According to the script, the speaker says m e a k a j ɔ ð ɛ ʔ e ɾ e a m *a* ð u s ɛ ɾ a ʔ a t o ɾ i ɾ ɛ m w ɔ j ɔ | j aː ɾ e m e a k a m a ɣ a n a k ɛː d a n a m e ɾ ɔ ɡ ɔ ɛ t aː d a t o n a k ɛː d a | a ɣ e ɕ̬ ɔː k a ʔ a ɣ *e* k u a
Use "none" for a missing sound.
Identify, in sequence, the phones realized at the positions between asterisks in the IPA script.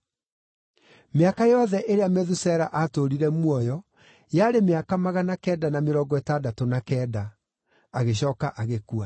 ɛ, e

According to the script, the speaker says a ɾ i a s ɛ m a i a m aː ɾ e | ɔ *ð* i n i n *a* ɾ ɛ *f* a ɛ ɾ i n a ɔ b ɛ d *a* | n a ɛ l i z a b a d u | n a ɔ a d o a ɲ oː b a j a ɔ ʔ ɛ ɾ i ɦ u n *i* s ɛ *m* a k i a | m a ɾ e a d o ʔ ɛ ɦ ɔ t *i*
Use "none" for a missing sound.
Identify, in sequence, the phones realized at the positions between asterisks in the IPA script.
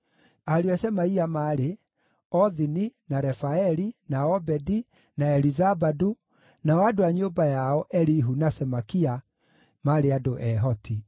ð, a, f, i, a, m, i

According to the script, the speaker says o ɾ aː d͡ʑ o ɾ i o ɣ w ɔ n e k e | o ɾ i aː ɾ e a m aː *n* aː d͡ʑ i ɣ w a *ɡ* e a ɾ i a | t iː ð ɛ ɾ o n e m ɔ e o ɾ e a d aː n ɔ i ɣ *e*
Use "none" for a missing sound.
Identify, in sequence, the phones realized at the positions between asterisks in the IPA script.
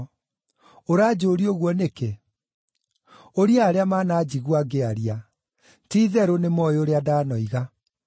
n, ɡ, a

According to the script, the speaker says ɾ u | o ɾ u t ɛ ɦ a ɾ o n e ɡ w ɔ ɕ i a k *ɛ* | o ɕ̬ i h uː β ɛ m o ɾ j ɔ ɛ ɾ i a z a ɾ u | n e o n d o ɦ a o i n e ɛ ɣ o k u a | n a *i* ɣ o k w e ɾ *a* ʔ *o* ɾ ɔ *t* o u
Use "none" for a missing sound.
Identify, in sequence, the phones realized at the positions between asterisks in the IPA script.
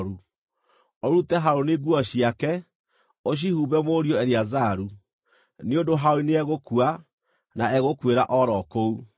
ɛ, ɛ, a, ɔ, k

